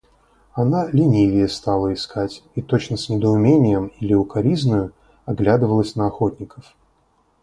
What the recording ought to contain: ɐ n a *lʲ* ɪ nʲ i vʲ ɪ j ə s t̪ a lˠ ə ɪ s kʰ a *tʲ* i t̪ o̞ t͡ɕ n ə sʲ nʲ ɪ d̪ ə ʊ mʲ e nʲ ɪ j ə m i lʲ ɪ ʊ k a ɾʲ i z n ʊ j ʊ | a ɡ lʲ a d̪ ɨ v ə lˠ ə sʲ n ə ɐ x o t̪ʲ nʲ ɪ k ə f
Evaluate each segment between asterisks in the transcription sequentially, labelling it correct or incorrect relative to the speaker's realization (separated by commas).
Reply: correct, correct